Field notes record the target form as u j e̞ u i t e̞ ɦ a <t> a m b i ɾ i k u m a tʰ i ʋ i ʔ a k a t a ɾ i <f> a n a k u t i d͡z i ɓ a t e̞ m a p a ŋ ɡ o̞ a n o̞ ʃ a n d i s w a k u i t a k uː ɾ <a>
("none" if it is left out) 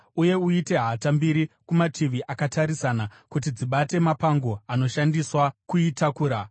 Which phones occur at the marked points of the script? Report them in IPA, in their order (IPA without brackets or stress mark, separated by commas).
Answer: t, s, a